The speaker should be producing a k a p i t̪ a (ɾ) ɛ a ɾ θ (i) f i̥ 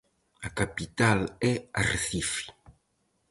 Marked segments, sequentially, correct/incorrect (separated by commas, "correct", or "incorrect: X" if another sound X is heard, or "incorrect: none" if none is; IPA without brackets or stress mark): incorrect: l, correct